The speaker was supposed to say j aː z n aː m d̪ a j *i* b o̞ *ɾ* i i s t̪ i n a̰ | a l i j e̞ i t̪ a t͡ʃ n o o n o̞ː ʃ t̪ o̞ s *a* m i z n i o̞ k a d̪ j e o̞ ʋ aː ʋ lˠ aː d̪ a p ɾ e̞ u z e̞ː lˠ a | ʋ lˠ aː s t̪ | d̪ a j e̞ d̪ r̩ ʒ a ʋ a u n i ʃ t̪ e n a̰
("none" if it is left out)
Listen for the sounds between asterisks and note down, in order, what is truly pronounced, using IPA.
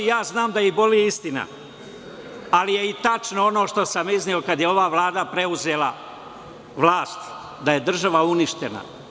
i, l, a

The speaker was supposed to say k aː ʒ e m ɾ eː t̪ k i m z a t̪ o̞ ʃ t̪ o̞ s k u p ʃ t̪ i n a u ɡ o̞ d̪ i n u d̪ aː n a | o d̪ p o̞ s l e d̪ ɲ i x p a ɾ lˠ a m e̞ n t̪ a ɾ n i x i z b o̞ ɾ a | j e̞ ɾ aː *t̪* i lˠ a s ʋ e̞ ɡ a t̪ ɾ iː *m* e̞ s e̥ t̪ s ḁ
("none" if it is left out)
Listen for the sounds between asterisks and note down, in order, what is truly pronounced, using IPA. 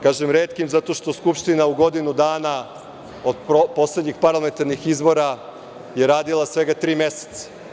d̪, m

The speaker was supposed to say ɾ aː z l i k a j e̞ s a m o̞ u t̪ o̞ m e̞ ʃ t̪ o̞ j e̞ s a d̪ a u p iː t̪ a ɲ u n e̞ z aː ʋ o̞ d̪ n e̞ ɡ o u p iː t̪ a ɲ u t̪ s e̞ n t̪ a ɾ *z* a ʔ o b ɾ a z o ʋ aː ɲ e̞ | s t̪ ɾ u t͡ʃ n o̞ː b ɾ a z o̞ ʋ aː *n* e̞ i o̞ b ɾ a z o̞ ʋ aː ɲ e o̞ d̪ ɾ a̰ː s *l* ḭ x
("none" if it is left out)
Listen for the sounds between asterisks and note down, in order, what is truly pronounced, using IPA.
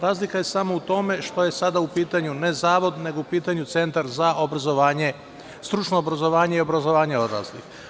z, ɲ, l

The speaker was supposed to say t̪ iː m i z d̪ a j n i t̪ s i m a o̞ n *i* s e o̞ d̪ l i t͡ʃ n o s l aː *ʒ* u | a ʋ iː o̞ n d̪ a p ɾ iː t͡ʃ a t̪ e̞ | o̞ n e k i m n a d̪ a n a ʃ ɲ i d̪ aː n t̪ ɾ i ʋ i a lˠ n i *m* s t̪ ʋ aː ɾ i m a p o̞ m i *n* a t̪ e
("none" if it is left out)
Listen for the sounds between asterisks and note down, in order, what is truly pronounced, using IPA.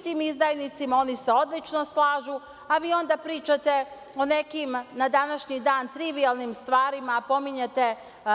i, ʒ, m, ɲ

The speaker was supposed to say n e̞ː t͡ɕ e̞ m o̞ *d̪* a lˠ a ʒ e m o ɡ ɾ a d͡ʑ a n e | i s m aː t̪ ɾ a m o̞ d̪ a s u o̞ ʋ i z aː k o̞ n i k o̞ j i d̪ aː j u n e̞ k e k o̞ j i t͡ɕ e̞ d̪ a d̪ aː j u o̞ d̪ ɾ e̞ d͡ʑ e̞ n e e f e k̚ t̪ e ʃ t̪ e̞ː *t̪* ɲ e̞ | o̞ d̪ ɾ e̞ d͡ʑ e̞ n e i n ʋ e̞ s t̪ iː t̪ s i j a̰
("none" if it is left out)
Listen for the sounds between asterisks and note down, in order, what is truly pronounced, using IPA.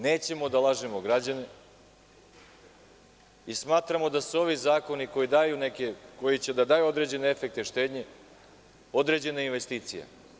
d̪, d̪

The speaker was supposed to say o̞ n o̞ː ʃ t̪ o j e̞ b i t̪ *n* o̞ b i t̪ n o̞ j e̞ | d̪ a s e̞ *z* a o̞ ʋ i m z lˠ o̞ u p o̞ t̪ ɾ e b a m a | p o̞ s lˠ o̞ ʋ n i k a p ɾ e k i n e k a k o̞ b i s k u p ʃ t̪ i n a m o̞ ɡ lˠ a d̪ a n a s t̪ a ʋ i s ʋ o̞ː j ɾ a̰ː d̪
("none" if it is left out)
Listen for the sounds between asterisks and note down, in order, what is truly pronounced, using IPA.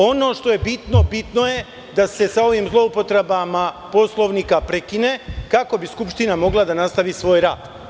n, s

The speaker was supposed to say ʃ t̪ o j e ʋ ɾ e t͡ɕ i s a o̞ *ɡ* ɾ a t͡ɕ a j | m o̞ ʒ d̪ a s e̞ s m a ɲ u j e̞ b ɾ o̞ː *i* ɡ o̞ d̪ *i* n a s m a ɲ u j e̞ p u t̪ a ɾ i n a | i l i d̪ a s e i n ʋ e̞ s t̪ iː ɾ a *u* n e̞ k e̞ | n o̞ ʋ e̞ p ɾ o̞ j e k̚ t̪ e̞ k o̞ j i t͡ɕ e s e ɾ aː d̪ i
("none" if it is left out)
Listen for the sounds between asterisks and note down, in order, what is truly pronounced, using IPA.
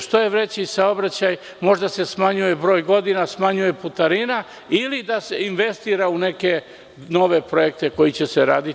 b, j, i, u

